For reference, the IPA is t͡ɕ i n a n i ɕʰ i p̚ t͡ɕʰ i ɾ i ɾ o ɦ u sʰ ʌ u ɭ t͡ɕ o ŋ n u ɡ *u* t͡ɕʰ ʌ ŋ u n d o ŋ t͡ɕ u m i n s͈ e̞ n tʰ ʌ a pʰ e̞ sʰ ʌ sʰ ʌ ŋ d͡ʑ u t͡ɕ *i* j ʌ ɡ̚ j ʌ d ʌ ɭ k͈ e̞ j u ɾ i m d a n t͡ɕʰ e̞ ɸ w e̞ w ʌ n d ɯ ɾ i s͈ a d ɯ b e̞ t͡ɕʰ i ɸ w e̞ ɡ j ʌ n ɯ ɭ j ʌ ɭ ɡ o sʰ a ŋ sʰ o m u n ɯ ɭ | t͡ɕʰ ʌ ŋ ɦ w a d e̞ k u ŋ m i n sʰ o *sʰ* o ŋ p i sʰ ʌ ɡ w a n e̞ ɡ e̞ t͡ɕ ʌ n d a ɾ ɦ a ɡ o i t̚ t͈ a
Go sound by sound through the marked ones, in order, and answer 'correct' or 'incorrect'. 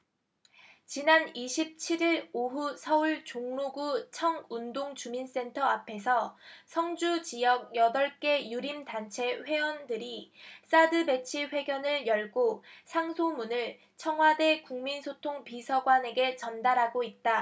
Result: correct, correct, incorrect

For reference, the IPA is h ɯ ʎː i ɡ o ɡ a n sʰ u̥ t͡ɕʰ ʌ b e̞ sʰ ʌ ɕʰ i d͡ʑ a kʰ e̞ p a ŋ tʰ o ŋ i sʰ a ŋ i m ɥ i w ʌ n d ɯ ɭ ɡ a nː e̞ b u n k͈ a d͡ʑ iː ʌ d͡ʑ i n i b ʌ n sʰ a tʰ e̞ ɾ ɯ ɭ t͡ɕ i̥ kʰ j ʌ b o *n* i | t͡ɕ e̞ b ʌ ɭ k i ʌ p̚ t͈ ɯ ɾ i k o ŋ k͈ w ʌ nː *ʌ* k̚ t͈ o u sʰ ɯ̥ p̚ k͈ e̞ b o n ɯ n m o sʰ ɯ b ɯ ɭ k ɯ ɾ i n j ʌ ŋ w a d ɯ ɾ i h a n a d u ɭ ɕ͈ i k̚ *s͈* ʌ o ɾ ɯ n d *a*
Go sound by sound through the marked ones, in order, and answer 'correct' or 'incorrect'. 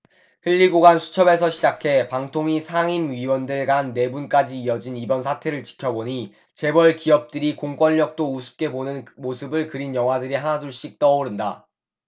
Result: incorrect, correct, incorrect, correct

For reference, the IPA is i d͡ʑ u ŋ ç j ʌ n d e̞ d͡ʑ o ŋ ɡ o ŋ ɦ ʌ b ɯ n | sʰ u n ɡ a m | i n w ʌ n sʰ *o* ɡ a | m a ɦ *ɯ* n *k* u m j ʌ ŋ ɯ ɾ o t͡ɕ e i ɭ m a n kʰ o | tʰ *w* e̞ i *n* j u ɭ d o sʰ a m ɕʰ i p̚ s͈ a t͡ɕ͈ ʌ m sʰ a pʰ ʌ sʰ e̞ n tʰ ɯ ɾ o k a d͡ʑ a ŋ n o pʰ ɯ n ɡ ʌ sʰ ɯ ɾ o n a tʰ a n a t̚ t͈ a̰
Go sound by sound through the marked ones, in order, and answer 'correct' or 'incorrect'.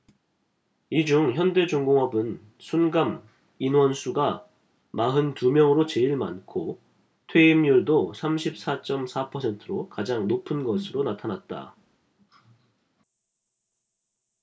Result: incorrect, correct, incorrect, correct, incorrect

